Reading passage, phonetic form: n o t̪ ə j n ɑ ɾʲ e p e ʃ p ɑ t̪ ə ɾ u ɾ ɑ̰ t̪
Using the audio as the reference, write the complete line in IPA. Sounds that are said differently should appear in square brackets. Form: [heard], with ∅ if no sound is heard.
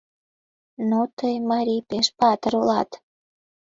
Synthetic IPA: n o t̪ ə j [m] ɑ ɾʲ [i] p e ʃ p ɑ t̪ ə ɾ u [l] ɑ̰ t̪

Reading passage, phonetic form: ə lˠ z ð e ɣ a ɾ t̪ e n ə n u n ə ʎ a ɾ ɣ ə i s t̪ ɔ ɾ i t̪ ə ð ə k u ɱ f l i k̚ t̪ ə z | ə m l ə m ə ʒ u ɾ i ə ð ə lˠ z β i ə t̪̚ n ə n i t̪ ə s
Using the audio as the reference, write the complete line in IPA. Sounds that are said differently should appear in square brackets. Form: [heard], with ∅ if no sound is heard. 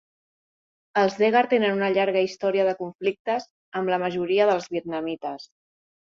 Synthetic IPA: ə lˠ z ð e ɣ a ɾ t̪ e n ə n u n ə ʎ a ɾ ɣ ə i s t̪ ɔ ɾ i [∅] ə ð ə k u ɱ f l i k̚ t̪ ə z | ə m l ə m ə ʒ u ɾ i ə ð ə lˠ z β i ə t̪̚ n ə [m] i t̪ ə s

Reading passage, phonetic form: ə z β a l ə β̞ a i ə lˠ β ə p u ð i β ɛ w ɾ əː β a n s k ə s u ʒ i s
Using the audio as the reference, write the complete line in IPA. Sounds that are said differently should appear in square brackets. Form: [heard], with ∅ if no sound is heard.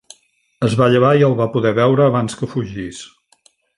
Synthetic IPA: ə z β a [ʎ] ə β̞ a i ə lˠ β [a] p u ð [ɛ] β ɛ w ɾ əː β a n s k ə [f] u ʒ i s

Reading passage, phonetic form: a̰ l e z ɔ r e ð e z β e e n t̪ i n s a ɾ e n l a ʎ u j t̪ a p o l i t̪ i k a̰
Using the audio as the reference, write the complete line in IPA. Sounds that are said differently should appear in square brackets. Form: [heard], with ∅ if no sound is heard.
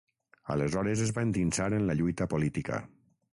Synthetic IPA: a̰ l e z ɔ [ɾ] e [z] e z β [a] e n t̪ i n s a ɾ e n l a ʎ u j t̪ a p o l i t̪ i k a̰

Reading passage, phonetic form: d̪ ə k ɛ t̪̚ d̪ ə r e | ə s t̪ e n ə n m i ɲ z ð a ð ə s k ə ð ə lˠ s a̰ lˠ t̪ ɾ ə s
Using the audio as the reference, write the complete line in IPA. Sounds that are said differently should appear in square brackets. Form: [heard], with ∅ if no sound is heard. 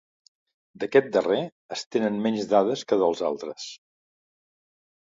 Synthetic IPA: d̪ ə k ɛ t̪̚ d̪ ə r e | ə s t̪ e n ə n m [ɛ] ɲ z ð a ð ə s k ə ð ə lˠ [z] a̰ lˠ t̪ ɾ ə s

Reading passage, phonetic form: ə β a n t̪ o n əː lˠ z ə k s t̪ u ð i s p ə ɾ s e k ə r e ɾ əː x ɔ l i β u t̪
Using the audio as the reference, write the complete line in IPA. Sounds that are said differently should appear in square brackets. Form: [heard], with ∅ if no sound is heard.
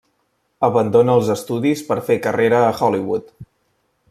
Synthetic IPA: ə β [ə] n [d̪] o n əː lˠ z ə [∅] s t̪ u ð i s p ə ɾ [f] e k ə r e ɾ əː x ɔ l i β u t̪

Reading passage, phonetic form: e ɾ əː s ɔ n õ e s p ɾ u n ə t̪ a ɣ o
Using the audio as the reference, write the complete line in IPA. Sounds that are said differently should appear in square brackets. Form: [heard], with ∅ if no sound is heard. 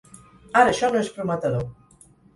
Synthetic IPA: [a] ɾ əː [ʃ] ɔ n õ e s p ɾ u [m] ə t̪ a [ð] o

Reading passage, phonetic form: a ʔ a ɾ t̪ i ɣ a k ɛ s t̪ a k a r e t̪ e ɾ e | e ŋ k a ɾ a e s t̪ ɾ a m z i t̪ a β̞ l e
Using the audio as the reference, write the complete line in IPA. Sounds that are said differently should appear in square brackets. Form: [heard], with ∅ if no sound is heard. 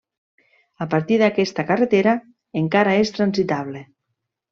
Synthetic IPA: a [p] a ɾ t̪ i [ð] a k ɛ s t̪ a k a r e t̪ e ɾ [a] | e ŋ k a ɾ a e s t̪ ɾ a [n] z i t̪ a β̞ l e

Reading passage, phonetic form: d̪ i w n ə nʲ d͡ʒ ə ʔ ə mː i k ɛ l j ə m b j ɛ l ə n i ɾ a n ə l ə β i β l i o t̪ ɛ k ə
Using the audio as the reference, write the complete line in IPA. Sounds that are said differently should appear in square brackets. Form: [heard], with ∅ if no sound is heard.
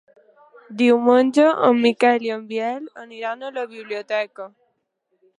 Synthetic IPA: d̪ i w [m] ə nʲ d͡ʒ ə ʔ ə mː i k ɛ l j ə m b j ɛ l ə n i ɾ a n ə l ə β i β l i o t̪ ɛ k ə

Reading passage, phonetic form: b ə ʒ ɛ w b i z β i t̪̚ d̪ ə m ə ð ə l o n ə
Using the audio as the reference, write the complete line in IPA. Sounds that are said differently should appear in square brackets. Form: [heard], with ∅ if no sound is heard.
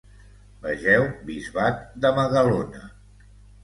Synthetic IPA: b ə ʒ ɛ w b i z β [a] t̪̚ d̪ ə m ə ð ə l o n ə

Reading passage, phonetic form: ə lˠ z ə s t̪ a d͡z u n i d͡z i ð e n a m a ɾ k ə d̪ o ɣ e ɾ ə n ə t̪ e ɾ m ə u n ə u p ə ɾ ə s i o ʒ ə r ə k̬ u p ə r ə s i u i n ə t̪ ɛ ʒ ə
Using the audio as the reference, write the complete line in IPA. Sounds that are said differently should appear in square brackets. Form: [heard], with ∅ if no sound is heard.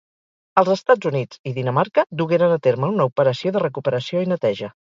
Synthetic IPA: ə lˠ z ə s t̪ a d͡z u n i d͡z i ð [i] n [ə] m a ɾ k ə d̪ [u] ɣ e ɾ ə n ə t̪ e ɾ m ə u n ə u p ə ɾ ə s i o [ð] ə r ə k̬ u p ə [ɾ] ə s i [o] i n ə t̪ ɛ ʒ ə

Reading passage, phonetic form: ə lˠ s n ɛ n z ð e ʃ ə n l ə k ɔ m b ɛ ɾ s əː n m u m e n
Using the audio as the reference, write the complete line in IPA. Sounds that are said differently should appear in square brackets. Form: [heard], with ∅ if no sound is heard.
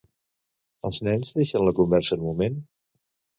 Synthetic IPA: ə lˠ [z] n ɛ n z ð e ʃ ə n l ə k [u] m b ɛ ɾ s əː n m u m e n

